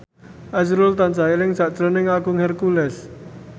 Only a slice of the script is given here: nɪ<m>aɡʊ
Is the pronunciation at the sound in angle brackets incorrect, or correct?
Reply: incorrect